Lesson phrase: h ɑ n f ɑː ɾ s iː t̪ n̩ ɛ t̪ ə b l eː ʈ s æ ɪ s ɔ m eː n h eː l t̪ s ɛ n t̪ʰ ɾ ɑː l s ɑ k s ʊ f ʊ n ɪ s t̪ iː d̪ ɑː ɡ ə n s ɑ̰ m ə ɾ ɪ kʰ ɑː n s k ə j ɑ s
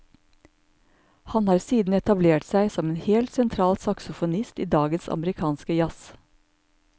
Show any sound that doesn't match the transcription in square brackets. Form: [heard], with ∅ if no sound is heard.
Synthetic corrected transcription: h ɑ n [h] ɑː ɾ s iː [d̪] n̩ ɛ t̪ [ɑ] b l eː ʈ s æ ɪ s ɔ m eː n h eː l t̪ s ɛ n t̪ʰ ɾ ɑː l s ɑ k s ʊ f ʊ n ɪ s t̪ iː d̪ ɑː ɡ ə n s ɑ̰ m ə ɾ ɪ kʰ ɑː n s k ə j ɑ s